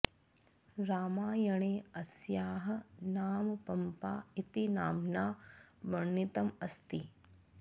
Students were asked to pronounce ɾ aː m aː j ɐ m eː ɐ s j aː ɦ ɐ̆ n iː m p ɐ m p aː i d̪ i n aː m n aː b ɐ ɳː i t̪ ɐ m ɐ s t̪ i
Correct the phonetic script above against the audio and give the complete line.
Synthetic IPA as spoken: ɾ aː m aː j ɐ ɳ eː ɐ s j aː ɦ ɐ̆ n aː m p ɐ m p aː i t̪ i n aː m n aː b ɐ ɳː i t̪ ɐ m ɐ s t̪ i